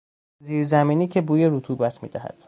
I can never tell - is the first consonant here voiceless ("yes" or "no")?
no